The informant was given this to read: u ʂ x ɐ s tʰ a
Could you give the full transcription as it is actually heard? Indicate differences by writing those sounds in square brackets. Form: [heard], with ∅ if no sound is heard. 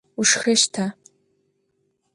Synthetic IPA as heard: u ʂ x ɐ [ʃ] tʰ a